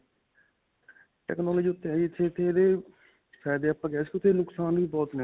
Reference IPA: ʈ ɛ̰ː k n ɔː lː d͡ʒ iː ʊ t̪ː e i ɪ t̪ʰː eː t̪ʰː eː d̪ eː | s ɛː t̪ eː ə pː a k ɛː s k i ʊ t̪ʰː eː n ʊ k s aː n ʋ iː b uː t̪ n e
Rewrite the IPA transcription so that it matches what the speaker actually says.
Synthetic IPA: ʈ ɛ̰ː k n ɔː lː d͡ʒ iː ʊ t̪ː e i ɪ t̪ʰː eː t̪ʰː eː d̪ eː | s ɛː d̪ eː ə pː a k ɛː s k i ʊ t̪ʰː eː n ʊ k s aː n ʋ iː b ɔː t̪ n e